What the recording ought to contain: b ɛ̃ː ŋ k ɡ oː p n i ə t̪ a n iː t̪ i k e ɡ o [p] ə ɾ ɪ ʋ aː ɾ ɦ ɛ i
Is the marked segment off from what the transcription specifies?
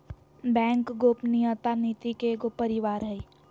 no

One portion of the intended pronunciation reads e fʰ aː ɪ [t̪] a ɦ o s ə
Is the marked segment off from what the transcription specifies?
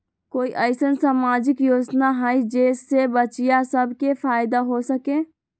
yes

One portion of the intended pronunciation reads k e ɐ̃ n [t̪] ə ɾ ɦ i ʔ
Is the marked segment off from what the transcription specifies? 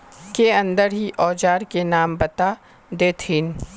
yes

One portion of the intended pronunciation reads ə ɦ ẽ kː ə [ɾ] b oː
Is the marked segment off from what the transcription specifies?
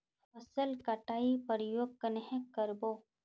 no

